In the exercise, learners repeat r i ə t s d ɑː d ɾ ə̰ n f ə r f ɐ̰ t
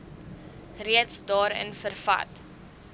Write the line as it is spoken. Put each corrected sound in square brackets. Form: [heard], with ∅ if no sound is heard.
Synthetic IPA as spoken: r i ə t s d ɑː [∅] ɾ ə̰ n f ə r f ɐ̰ t